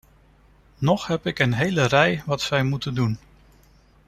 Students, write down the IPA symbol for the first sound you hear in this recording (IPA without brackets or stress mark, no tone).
n